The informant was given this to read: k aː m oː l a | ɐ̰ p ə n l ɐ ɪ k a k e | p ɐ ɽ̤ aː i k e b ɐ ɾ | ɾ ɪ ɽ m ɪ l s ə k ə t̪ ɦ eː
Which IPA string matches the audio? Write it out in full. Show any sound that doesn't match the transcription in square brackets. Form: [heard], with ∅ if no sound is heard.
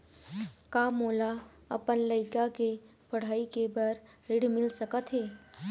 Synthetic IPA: k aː m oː l a | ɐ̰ p ə n l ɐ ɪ k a k e | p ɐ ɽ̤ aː i k e b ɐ ɾ | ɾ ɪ ɽ m ɪ l s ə k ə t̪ ɦ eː